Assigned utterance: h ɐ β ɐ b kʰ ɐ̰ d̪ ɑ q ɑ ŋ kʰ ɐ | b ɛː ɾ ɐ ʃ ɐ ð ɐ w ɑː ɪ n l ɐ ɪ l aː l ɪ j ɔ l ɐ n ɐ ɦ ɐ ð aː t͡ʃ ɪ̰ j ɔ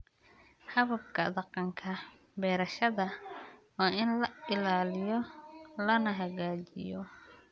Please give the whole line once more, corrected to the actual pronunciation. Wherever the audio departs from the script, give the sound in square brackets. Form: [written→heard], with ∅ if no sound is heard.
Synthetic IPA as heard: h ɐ β ɐ b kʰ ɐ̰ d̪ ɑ q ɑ ŋ kʰ ɐ | b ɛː ɾ ɐ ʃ ɐ ð ɐ w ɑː ɪ n l ɐ ɪ l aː l ɪ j ɔ l ɐ n ɐ ɦ ɐ [ð→ɣ] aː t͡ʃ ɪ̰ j ɔ